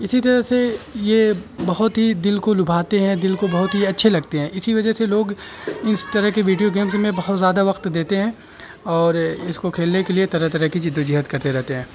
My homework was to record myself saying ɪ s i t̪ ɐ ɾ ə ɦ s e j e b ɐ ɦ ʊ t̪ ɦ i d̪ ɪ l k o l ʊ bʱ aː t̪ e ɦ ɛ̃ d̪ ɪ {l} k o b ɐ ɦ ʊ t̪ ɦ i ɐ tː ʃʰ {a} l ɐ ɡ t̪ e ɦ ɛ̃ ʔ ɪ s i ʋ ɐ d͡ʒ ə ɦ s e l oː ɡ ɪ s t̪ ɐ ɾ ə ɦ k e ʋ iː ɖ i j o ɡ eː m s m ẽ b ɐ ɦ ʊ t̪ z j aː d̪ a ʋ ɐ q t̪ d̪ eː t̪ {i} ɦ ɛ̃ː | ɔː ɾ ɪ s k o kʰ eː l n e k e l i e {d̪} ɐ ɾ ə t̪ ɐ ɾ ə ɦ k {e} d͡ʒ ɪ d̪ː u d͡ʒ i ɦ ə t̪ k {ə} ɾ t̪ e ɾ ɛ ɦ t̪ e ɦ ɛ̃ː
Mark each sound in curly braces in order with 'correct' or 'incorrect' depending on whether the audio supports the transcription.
correct, incorrect: e, incorrect: e, incorrect: t̪, incorrect: i, incorrect: ɐ

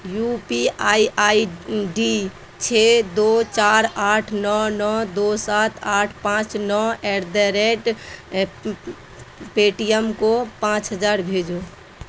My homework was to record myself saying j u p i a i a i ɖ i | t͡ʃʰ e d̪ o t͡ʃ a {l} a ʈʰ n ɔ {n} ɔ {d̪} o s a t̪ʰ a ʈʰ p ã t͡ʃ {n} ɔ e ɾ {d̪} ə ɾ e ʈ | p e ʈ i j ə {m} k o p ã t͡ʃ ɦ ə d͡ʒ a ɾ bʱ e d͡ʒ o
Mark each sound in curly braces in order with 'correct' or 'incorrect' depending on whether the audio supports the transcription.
incorrect: ɾ, correct, correct, correct, correct, correct

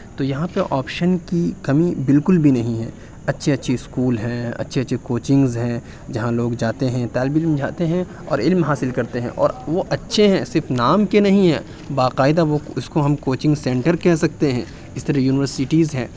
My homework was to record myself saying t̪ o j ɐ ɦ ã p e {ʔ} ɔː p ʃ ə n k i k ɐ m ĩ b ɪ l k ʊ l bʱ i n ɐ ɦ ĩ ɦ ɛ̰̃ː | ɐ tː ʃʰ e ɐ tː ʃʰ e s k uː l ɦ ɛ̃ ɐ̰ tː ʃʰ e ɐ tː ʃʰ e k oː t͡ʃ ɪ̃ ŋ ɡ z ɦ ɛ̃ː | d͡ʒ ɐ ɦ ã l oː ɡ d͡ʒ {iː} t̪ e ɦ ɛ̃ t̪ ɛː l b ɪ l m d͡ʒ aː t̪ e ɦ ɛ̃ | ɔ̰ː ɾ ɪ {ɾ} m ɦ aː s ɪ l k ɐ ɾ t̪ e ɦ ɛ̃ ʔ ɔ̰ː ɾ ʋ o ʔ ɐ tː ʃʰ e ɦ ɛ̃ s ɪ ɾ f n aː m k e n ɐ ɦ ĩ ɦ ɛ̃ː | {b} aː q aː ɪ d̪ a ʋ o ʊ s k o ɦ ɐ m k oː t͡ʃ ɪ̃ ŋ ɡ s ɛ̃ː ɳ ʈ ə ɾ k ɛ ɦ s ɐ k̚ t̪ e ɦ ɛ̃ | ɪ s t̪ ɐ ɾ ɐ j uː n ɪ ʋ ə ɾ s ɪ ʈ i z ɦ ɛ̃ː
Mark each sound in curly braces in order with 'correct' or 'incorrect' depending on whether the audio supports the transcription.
correct, incorrect: aː, incorrect: l, correct

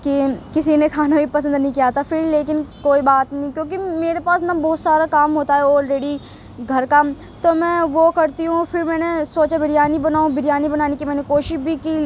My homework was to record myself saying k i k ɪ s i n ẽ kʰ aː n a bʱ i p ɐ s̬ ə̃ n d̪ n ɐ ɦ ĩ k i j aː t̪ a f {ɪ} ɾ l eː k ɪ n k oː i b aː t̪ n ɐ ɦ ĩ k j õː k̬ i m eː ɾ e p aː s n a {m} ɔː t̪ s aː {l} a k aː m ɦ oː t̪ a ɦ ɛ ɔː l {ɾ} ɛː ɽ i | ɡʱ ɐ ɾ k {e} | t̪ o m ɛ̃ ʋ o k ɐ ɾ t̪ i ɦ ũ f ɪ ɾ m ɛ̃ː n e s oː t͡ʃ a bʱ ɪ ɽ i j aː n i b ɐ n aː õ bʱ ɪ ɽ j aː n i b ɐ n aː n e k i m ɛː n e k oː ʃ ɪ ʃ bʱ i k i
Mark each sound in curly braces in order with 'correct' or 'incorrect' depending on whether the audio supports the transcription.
correct, incorrect: b, incorrect: ɾ, correct, incorrect: a

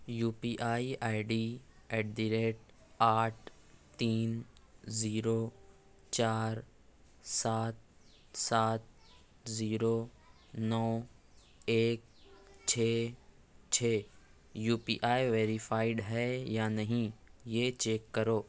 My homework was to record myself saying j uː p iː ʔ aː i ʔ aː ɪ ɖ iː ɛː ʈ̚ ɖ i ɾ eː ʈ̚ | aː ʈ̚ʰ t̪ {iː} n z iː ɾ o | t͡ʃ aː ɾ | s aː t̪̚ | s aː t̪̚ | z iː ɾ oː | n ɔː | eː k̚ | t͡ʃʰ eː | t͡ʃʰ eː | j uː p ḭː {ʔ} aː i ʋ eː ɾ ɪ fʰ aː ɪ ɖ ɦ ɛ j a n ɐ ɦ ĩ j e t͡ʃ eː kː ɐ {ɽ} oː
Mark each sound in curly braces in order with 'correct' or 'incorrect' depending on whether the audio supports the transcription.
correct, correct, incorrect: ɾ

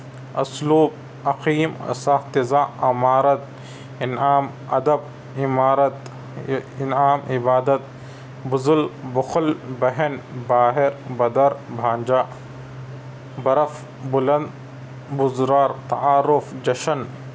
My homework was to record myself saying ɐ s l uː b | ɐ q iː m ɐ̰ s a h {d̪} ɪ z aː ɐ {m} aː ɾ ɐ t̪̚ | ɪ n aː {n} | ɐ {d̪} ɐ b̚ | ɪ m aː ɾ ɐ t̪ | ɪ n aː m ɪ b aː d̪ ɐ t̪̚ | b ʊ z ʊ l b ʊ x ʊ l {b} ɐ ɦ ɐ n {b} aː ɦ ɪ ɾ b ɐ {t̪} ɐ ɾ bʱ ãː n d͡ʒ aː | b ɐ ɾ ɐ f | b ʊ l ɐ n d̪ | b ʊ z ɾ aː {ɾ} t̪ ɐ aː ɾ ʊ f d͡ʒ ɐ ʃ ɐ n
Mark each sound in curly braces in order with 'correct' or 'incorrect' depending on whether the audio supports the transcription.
incorrect: t̪, correct, incorrect: m, correct, correct, correct, incorrect: d̪, correct

